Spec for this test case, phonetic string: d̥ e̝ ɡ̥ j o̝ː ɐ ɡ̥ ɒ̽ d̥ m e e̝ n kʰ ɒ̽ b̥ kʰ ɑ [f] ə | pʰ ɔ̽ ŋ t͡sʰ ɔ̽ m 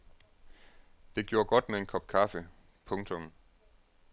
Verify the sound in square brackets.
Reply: correct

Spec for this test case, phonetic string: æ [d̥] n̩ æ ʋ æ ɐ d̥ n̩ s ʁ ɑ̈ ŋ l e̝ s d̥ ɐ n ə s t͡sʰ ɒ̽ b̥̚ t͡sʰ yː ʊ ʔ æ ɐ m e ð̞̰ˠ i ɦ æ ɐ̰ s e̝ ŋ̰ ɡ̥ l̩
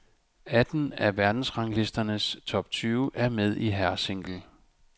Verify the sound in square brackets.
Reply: correct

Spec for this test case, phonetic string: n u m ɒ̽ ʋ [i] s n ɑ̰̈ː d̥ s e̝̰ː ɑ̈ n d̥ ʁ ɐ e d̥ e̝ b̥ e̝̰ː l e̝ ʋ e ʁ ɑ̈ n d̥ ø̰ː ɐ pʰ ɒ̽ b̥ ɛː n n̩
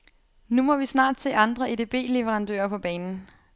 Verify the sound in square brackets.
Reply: correct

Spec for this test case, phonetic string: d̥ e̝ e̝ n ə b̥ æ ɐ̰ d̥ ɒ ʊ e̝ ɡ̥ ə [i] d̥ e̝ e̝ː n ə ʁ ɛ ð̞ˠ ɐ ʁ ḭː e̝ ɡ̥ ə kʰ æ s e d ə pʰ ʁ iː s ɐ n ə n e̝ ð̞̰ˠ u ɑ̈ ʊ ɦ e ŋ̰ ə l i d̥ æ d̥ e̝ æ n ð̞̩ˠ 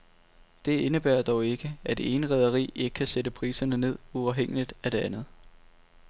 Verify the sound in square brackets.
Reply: incorrect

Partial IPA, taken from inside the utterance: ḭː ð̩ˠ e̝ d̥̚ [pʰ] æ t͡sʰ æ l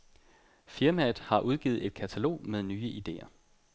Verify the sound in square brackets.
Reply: incorrect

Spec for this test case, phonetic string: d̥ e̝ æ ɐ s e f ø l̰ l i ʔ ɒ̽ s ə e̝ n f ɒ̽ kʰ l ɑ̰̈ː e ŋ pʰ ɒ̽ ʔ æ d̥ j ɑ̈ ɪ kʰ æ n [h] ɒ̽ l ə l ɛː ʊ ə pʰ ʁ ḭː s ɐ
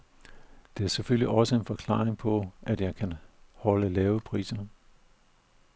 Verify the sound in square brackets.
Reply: correct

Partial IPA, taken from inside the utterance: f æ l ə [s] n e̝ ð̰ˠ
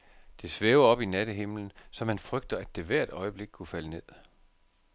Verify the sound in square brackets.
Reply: incorrect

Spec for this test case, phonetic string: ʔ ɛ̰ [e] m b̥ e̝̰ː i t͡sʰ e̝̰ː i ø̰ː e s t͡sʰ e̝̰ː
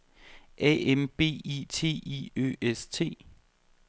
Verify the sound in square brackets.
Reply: correct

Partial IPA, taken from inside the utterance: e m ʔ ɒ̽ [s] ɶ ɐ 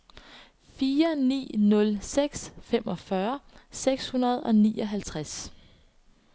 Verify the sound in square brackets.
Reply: incorrect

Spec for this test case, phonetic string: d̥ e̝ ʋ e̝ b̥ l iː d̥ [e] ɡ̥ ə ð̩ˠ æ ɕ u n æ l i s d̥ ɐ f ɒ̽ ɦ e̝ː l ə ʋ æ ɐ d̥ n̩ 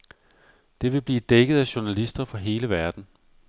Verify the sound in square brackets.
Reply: correct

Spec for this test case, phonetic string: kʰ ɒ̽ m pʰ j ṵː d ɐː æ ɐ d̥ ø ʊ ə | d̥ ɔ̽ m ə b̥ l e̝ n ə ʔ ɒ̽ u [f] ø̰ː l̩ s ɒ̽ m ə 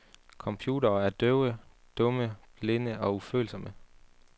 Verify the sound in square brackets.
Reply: correct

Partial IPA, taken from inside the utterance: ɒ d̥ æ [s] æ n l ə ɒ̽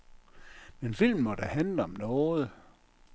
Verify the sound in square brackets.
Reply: incorrect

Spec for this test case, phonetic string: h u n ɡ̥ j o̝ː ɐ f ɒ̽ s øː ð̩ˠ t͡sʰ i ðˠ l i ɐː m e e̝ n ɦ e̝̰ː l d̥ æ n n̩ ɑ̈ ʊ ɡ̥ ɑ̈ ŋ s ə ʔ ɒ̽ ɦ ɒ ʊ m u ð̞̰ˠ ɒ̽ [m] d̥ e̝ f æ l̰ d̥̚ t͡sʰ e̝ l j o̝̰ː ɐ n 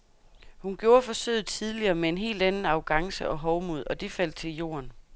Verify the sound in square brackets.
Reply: incorrect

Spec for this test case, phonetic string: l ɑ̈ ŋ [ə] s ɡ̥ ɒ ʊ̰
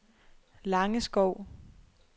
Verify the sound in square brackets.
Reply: correct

